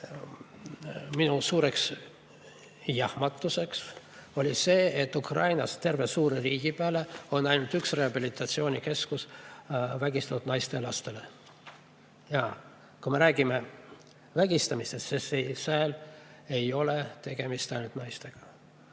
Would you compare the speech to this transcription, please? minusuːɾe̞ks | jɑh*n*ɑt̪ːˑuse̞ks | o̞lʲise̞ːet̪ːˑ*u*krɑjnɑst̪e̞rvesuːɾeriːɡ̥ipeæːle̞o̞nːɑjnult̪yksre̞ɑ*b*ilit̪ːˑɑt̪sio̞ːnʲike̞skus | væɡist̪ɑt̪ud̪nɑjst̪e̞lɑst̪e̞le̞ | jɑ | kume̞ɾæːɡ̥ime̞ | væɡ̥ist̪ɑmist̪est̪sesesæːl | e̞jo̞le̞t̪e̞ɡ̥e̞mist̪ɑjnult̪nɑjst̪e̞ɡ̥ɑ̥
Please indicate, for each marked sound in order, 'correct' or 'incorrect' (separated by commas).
incorrect, correct, correct